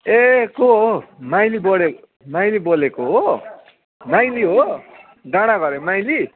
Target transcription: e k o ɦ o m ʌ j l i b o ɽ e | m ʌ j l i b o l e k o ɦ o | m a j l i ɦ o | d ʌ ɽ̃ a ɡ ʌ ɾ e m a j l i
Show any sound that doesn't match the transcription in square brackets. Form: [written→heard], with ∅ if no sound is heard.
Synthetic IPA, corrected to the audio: e k o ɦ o m [ʌ→a] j l i b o ɽ e | m [ʌ→a] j l i b o l e k o ɦ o | m a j l i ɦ o | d [ʌ→a] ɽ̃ a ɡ ʌ ɾ e m a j l i

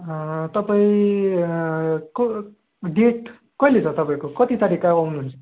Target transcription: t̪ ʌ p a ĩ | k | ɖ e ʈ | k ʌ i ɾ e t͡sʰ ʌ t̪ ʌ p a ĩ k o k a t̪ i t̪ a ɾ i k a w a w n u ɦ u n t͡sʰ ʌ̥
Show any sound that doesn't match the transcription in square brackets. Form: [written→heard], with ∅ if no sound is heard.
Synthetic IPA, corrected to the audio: t̪ ʌ p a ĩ | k | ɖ e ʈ | k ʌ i [ɾ→l] e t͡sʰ ʌ t̪ ʌ p a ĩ k o k [a→ʌ] t̪ i t̪ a ɾ i k a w a w n u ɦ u n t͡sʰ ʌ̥

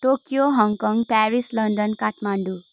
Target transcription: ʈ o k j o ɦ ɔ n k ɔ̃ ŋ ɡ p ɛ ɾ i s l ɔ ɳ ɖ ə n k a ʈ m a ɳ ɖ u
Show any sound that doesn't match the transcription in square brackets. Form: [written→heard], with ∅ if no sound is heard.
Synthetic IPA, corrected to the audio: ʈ o k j o ɦ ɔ [n→ŋ] k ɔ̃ ŋ ɡ p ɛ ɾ i s l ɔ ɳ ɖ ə n k a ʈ m a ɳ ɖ u

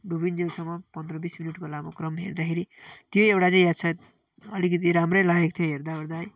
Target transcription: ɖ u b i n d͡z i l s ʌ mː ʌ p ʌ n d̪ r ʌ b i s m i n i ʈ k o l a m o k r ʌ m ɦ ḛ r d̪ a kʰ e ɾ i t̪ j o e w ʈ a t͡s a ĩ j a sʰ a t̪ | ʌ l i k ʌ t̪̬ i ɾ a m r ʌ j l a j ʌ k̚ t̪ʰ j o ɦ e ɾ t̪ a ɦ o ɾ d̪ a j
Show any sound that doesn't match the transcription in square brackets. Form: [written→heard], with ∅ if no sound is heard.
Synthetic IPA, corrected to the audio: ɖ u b i n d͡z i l s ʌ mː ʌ p ʌ n d̪ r ʌ b i s m i n i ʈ k o l a m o k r ʌ m ɦ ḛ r d̪ a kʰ e ɾ i t̪ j o e w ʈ a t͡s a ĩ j a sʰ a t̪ | ʌ l i k ʌ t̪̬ i ɾ a m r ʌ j l a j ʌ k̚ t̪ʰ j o ɦ e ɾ [t̪→d̪] a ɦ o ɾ d̪ a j

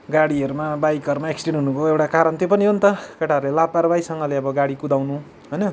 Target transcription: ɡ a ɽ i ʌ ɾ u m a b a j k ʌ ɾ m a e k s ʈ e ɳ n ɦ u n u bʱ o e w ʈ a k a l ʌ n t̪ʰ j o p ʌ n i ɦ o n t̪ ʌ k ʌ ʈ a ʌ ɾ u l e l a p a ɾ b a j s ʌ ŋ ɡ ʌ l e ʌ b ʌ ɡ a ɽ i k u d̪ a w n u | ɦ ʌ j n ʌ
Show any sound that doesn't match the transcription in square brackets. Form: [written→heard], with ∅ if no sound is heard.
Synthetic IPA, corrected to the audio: ɡ a ɽ i ʌ ɾ u m a b a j k ʌ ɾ m a e k s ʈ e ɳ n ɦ u n u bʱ o e w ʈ a k a [l→ɾ] ʌ n [t̪ʰ→t̪] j o p ʌ n i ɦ o n t̪ ʌ k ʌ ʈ a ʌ ɾ u l e l a p a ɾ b a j s ʌ ŋ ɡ ʌ l e ʌ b ʌ ɡ a ɽ i k u d̪ a w n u | ɦ ʌ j n ʌ

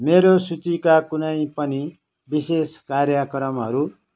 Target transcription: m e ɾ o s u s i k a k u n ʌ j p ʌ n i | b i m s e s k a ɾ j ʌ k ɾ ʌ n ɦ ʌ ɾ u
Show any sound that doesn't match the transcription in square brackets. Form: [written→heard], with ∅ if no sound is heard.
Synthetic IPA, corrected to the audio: m e ɾ o s u [s→t͡s] i k a k u n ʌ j p ʌ n i | b i [m→∅] s e s k a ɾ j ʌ k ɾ ʌ [n→m] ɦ ʌ ɾ u

